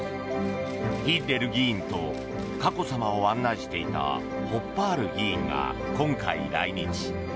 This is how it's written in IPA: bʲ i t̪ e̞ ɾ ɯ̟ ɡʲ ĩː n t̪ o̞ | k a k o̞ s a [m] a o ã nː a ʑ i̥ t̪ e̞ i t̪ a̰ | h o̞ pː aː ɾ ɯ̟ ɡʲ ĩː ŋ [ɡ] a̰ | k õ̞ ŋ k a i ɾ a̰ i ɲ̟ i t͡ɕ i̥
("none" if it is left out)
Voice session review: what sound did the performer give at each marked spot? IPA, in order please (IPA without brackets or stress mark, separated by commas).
m, ɡ